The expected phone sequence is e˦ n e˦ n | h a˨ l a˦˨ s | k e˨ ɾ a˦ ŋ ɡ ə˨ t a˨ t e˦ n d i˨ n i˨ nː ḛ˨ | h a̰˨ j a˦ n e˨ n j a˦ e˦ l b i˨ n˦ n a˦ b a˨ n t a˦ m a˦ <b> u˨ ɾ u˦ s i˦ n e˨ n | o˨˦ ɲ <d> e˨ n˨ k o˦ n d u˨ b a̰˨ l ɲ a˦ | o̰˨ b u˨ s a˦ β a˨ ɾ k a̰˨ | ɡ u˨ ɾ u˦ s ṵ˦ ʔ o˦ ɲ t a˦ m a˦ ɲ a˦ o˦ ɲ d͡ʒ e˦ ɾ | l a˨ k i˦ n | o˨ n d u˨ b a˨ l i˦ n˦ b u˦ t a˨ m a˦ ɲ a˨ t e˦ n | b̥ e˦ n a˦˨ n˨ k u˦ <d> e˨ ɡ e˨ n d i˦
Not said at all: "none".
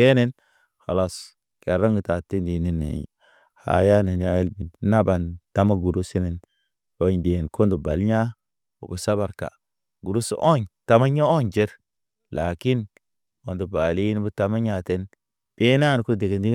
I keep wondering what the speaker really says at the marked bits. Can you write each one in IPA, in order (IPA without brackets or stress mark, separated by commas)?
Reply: ɡ, d, d